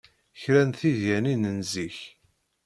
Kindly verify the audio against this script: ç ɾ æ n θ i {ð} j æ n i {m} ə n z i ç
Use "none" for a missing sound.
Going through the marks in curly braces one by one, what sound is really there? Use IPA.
ð, n

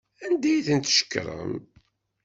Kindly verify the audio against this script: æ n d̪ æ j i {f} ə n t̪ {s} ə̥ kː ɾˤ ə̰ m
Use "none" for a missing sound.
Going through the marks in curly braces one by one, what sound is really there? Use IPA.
θ, ʃ

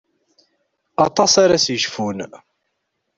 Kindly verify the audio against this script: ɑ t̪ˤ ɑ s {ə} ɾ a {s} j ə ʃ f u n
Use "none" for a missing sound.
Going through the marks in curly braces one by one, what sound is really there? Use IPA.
a, s

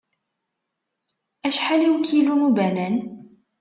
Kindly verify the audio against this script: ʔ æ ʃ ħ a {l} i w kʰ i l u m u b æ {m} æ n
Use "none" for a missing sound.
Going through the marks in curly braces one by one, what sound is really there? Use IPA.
l, n

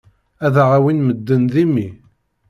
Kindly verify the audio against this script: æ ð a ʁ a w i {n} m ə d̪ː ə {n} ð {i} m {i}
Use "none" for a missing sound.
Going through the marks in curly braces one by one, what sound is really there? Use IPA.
n, n, i, i

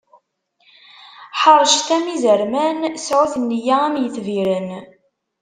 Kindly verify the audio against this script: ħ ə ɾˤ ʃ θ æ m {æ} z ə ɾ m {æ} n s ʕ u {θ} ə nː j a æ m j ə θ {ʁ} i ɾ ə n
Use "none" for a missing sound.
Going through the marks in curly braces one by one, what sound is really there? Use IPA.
i, æ, θ, v

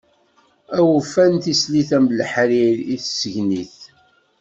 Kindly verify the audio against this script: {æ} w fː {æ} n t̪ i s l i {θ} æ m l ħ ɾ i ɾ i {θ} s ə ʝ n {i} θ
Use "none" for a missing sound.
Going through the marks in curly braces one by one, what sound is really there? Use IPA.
æ, æ, θ, θ, i

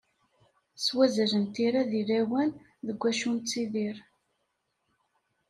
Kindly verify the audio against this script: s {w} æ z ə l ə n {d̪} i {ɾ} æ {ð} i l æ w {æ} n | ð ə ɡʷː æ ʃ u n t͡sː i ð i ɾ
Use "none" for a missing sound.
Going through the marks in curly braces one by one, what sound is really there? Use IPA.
w, t̪, ɾ, ð, æ

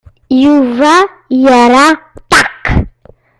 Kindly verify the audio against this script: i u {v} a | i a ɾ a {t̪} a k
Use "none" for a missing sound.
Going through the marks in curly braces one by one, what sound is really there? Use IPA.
v, t̪

